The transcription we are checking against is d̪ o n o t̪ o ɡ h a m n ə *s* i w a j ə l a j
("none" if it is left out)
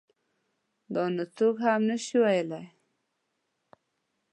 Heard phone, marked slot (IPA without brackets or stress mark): ʃ